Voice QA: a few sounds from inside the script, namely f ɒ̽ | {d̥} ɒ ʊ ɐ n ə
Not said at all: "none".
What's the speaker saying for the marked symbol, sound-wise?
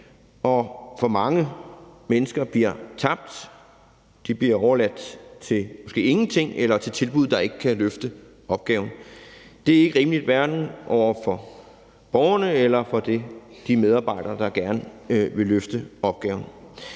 b̥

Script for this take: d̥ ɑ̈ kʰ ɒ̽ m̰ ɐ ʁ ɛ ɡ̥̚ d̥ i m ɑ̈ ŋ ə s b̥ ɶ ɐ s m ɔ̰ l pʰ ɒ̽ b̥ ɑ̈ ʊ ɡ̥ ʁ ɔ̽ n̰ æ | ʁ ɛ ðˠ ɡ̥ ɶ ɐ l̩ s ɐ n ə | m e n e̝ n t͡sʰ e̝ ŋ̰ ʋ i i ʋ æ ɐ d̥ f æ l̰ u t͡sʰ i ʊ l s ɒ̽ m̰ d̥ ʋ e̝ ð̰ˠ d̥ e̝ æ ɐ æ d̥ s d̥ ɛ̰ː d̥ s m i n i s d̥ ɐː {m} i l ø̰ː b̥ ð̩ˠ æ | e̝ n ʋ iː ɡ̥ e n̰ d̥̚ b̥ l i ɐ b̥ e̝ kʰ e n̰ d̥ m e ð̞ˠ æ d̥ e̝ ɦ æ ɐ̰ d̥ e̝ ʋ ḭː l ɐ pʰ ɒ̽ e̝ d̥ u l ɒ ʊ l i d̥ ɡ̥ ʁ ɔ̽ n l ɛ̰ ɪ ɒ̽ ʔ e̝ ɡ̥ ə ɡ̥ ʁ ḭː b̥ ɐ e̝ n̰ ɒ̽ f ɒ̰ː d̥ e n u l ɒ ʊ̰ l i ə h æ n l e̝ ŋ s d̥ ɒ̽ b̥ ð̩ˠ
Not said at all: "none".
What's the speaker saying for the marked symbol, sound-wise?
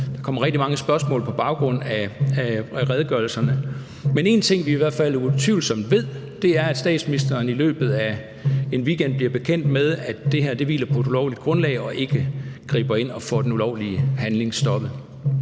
n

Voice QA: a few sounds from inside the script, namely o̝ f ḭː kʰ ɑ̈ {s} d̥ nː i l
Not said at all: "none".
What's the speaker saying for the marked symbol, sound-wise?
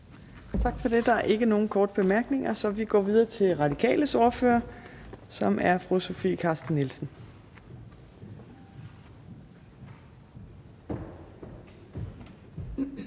s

